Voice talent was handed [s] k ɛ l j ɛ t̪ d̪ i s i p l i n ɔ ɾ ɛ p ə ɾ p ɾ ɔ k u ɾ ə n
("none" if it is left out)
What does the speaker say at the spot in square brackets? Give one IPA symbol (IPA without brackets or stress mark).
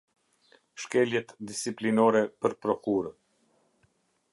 ʃ